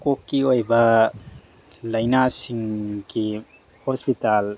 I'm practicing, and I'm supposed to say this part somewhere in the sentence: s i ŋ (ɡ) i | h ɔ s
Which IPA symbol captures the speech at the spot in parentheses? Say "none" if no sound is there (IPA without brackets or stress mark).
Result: k